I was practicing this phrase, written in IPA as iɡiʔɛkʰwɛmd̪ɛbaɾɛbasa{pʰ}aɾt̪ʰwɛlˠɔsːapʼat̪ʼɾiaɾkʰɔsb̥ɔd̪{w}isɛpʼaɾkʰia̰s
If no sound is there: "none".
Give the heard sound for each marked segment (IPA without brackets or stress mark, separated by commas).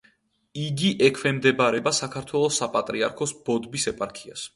kʰ, b